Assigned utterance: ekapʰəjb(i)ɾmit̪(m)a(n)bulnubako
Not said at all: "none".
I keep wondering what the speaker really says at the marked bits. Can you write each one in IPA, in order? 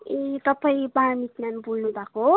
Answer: a, n, n

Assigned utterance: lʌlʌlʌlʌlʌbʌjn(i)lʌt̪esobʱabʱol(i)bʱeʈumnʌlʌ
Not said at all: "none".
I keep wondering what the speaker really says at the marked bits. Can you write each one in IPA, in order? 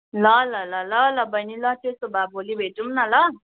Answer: i, i

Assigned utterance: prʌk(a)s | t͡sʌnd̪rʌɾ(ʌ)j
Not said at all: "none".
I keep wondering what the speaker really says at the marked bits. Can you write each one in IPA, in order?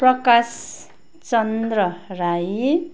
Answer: a, a

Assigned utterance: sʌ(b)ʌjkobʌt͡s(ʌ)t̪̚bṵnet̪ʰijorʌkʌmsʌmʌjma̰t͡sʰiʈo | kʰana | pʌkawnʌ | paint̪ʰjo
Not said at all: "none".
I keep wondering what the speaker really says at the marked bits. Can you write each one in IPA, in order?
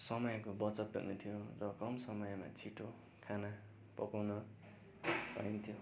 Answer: m, ʌ

